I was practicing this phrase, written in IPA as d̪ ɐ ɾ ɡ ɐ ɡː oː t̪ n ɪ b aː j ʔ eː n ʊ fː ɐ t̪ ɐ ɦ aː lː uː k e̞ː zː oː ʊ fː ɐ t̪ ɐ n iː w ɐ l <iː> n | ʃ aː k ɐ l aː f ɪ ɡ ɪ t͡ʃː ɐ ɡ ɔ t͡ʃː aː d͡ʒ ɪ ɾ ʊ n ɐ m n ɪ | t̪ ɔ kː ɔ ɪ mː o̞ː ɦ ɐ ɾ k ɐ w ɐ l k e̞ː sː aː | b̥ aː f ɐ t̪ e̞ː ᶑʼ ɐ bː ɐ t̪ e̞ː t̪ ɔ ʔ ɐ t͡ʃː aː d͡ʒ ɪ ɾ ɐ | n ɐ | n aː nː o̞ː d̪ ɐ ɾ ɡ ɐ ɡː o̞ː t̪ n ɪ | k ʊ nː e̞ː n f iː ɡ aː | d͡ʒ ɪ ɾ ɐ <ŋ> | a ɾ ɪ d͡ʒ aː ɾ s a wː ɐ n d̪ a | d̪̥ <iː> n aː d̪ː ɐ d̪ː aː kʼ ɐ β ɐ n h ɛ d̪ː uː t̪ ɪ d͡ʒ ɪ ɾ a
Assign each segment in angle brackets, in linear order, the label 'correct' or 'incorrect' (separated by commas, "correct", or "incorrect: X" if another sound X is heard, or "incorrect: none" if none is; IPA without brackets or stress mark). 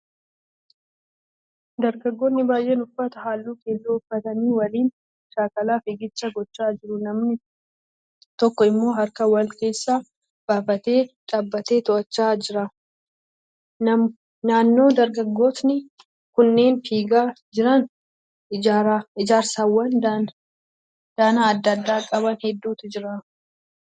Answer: correct, incorrect: n, incorrect: aː